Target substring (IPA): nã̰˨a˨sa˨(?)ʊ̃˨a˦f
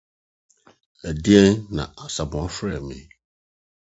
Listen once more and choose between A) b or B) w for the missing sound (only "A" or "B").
A